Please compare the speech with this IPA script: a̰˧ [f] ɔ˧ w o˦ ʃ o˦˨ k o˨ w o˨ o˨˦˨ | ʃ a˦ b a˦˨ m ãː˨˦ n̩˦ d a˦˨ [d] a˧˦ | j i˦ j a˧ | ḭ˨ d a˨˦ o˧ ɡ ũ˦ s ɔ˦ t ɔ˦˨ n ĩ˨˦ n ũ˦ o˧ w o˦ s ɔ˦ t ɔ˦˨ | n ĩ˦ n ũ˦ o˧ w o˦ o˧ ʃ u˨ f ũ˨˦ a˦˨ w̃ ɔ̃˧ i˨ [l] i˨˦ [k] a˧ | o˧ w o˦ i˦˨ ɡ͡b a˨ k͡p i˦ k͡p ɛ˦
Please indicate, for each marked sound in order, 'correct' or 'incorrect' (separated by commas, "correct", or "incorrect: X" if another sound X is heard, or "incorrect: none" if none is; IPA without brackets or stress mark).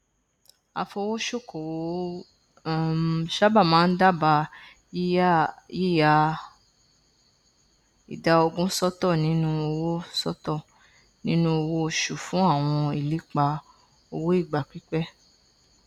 correct, incorrect: b, correct, incorrect: k͡p